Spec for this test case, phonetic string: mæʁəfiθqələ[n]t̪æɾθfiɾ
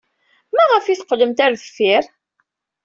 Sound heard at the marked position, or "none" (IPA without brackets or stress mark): m